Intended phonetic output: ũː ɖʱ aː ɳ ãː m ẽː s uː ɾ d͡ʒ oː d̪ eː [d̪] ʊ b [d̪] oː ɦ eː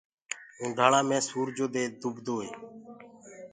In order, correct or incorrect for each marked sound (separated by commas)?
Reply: correct, correct